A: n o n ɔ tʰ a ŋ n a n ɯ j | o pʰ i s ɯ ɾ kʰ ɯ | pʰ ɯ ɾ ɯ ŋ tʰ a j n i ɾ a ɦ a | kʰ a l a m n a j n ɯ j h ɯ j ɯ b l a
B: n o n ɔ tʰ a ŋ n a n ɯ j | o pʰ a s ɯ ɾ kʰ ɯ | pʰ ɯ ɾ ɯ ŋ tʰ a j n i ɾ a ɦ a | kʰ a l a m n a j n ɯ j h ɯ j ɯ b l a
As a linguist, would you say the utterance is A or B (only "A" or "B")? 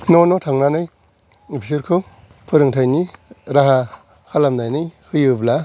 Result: A